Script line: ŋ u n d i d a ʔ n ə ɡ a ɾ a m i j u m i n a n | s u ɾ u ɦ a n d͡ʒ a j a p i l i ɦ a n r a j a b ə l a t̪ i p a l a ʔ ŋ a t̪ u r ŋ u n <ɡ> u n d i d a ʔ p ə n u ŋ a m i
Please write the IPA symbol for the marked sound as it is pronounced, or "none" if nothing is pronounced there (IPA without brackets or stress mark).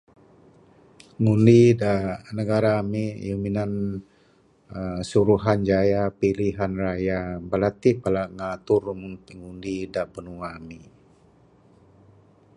ŋ